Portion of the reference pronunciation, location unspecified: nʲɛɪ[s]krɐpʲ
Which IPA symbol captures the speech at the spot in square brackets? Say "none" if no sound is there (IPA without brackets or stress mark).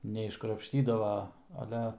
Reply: ʃ